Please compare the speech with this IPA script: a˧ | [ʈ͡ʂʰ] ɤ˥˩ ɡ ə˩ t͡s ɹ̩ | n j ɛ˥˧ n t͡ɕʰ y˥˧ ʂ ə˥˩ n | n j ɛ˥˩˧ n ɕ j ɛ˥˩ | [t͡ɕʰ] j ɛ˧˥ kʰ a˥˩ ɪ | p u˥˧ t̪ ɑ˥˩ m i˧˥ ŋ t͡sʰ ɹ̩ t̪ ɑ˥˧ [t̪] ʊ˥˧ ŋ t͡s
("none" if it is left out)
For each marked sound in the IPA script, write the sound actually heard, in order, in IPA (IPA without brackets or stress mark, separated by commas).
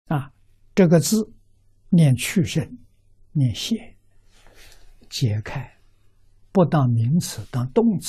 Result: ʈ͡ʂ, t͡ɕ, t̪